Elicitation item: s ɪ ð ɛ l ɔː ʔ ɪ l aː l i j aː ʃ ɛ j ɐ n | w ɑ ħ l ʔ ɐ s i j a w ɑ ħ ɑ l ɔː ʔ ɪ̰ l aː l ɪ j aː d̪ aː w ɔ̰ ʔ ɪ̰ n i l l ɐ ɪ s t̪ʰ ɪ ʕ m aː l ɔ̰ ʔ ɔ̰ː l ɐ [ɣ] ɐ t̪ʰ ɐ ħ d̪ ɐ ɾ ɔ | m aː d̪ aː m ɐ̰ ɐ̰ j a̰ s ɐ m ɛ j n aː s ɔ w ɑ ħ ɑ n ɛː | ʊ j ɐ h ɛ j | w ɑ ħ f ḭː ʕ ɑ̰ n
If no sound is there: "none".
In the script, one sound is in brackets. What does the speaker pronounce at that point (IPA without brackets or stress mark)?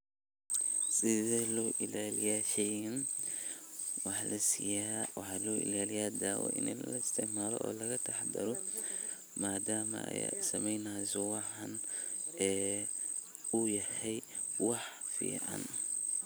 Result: ɣ